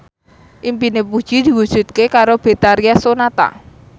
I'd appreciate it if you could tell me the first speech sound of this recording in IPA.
ʔ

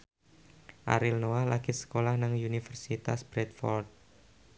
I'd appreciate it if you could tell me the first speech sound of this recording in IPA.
ʔ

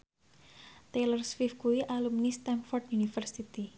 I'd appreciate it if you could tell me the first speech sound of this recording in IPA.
t̪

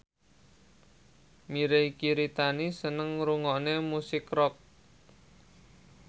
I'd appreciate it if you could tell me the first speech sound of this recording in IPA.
m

